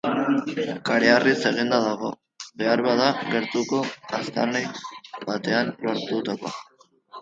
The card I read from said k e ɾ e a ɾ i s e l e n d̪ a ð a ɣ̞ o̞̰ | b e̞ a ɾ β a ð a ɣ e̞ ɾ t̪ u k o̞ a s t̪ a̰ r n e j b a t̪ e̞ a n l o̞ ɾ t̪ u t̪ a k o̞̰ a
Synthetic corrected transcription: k a ɾ e a r i s e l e n d̪ a ð a ɣ̞ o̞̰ | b e̞ a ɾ β a ð a ɣ e̞ ɾ t̪ u k o̞ a s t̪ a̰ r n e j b a t̪ e̞ a n l o̞ ɾ t̪ u t̪ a k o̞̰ a